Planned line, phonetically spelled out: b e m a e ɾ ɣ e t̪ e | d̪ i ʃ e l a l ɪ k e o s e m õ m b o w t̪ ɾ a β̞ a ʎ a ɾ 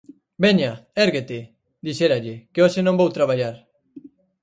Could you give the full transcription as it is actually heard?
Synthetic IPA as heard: b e ɲ a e ɾ ɣ e t̪ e | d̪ i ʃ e ɾ a ʎ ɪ k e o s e n õ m b o w t̪ ɾ a β̞ a ʎ a ɾ